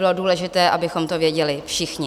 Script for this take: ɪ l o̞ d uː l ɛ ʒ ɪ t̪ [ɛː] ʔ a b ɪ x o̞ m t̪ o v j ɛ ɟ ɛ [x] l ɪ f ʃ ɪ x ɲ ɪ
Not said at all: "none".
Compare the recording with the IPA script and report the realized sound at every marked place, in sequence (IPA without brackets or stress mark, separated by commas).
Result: ɛː, none